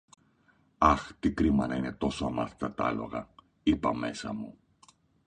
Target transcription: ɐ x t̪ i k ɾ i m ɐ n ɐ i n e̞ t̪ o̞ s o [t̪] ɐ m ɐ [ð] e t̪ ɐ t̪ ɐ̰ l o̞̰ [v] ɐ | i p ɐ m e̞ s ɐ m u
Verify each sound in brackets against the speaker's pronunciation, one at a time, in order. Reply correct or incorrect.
incorrect: none, incorrect: θ, incorrect: ɣ

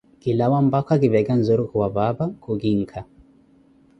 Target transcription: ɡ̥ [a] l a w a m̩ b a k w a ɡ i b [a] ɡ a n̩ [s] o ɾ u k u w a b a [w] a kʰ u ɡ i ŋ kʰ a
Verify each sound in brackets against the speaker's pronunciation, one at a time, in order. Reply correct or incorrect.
incorrect: i, incorrect: ɛ, incorrect: z, incorrect: b

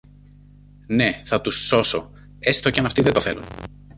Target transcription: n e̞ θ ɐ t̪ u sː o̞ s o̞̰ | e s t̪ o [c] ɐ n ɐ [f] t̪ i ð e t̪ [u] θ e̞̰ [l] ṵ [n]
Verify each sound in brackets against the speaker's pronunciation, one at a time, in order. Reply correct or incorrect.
correct, correct, incorrect: o, correct, correct

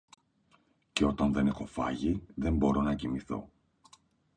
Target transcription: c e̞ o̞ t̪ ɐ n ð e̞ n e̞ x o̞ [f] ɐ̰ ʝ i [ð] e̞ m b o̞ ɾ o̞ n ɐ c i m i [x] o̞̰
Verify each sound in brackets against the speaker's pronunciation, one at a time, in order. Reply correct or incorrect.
correct, correct, incorrect: θ

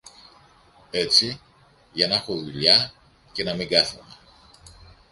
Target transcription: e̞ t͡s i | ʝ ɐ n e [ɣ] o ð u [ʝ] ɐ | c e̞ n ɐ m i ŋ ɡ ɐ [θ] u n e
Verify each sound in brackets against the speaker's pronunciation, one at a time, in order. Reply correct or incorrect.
incorrect: x, incorrect: ʎ, correct

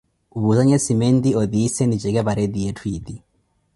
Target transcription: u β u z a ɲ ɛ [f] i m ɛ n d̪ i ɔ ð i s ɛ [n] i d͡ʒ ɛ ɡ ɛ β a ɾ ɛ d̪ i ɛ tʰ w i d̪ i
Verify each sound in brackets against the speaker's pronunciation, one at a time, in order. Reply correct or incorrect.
incorrect: s, correct

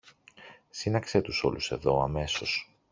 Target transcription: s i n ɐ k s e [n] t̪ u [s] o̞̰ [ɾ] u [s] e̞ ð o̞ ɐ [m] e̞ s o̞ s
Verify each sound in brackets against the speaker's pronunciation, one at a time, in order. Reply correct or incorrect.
incorrect: none, correct, incorrect: l, correct, correct

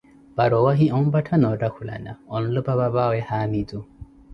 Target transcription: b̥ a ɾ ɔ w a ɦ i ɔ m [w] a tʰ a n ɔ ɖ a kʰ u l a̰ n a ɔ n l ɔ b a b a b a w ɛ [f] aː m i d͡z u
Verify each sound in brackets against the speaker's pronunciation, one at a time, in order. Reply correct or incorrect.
incorrect: b, incorrect: h

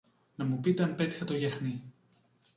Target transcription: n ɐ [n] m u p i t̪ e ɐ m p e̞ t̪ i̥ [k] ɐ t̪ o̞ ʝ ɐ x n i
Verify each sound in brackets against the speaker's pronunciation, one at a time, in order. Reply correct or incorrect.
incorrect: none, incorrect: x

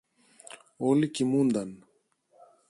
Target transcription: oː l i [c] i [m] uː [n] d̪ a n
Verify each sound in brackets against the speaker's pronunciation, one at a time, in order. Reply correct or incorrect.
incorrect: k, correct, correct

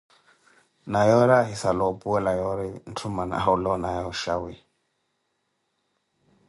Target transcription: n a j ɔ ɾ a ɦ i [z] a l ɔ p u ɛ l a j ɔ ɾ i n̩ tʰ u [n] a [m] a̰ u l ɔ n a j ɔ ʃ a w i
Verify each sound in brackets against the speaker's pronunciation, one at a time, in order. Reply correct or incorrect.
incorrect: s, incorrect: m, incorrect: n

